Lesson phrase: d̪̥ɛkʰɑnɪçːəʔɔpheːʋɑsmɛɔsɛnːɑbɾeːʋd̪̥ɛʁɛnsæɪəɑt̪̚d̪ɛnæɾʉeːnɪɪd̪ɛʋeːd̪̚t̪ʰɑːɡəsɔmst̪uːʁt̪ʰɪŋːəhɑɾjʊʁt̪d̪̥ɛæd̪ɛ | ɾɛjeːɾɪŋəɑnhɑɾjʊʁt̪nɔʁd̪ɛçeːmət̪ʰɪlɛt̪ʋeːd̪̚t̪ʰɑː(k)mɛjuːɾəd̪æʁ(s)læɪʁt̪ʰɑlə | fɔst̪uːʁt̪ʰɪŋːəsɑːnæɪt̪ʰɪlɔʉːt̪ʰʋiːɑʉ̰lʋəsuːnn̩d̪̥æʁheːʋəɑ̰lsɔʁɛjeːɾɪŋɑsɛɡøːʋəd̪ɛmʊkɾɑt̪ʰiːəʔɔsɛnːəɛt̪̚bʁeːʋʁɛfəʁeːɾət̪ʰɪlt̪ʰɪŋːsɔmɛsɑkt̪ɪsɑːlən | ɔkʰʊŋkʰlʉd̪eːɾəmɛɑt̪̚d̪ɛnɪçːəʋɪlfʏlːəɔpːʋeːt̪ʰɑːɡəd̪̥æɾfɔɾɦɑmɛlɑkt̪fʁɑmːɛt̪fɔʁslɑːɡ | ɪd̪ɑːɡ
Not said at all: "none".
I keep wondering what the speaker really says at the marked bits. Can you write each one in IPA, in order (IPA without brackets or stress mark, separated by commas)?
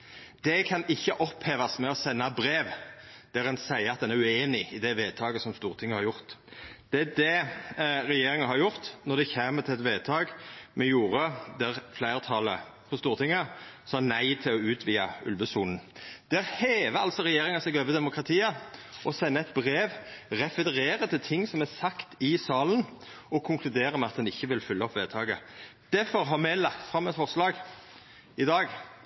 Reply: ɡ, f